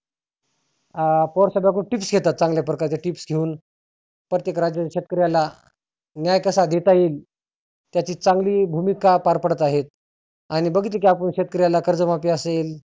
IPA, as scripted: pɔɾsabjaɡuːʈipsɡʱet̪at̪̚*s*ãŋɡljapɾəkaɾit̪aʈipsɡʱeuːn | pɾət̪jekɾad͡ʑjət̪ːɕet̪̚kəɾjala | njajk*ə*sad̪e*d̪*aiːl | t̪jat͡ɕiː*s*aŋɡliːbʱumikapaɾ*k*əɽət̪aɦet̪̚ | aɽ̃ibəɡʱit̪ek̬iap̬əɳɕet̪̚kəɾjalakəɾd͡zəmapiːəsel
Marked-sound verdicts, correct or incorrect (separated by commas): incorrect, correct, incorrect, incorrect, incorrect